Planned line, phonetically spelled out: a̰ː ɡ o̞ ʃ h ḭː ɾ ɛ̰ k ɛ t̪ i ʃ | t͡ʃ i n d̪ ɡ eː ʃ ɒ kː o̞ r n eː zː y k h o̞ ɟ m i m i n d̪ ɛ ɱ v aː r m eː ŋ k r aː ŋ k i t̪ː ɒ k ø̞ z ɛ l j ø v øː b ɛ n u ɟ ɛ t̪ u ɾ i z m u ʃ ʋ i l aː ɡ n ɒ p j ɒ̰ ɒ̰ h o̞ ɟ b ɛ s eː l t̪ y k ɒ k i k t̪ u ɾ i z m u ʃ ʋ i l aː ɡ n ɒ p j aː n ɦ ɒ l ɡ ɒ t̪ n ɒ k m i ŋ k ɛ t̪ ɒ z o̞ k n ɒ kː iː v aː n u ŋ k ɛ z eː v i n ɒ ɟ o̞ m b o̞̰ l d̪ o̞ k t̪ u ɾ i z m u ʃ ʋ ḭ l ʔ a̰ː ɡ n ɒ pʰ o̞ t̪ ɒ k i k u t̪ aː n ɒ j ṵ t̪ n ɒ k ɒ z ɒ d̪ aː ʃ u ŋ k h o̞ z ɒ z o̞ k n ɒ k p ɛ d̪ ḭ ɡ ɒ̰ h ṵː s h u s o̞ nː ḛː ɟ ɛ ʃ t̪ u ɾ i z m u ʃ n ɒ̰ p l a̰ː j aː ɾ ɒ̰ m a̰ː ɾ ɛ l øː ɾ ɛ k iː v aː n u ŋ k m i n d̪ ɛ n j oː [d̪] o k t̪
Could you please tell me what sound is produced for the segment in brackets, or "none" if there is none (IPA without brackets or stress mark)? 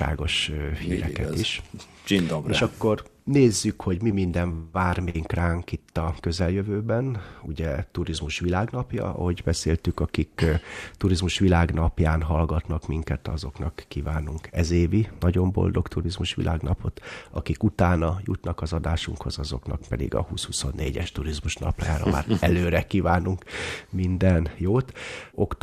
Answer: t̪